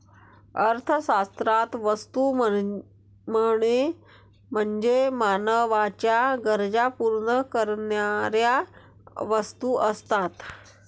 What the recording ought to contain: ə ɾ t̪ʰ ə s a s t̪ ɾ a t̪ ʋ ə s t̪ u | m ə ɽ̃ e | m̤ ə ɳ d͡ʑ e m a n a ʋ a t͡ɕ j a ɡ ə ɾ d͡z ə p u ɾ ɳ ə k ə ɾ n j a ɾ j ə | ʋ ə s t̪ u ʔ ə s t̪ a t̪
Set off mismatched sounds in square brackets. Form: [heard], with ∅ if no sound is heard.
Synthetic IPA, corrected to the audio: ə ɾ t̪ʰ ə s a s t̪ ɾ a t̪ ʋ ə s t̪ u | m ə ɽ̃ e | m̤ ə ɳ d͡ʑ e m a n [ə] ʋ a t͡ɕ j a ɡ ə ɾ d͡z [a] p u ɾ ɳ ə k ə ɾ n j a ɾ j [a] | ʋ ə s t̪ u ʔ ə s t̪ a t̪